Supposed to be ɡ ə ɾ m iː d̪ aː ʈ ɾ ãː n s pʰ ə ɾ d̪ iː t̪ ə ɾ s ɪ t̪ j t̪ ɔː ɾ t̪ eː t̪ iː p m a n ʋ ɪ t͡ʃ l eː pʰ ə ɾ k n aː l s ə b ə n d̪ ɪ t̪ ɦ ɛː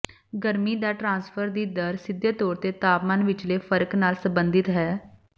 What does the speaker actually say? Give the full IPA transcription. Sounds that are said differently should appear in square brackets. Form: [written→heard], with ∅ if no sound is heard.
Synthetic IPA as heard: ɡ ə ɾ m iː d̪ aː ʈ ɾ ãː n s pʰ ə ɾ d̪ iː [t̪→d̪] ə ɾ s ɪ [t̪→d̪] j t̪ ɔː ɾ t̪ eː t̪ [iː→aː] p m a n ʋ ɪ t͡ʃ l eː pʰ ə ɾ k n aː l s ə b ə n d̪ ɪ t̪ ɦ ɛː